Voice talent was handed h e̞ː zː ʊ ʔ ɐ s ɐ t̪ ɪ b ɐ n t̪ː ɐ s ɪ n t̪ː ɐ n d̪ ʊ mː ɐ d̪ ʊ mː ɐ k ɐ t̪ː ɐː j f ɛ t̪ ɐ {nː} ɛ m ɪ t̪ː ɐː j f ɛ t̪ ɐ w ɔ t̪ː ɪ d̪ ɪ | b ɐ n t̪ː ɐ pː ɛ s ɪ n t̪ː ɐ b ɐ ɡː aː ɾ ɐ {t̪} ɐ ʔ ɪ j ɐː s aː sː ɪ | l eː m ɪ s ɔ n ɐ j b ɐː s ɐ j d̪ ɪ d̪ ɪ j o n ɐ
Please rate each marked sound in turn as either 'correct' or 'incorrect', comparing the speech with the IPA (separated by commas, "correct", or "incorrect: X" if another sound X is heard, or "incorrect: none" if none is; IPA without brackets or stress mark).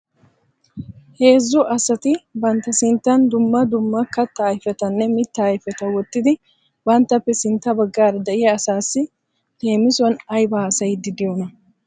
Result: correct, incorrect: d̪